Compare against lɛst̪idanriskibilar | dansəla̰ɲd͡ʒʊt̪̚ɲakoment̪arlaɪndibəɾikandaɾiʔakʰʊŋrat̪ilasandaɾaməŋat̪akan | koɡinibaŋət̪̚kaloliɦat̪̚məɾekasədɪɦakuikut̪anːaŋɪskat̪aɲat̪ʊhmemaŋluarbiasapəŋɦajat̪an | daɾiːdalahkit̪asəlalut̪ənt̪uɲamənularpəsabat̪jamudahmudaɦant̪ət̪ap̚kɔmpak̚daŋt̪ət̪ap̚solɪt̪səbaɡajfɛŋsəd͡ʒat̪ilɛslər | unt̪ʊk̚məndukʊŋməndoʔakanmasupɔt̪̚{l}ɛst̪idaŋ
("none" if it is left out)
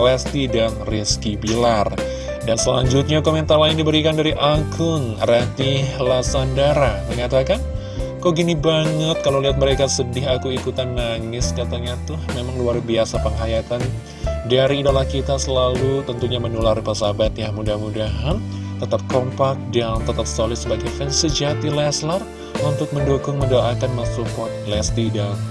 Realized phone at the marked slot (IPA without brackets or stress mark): l